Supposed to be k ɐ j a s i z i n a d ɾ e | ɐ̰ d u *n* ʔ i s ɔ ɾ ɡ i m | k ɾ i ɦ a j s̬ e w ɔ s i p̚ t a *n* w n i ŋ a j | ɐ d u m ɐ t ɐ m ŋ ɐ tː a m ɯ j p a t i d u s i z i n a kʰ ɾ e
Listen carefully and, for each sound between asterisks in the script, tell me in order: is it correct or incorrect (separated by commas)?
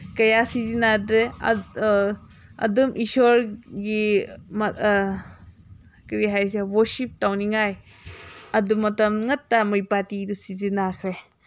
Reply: incorrect, incorrect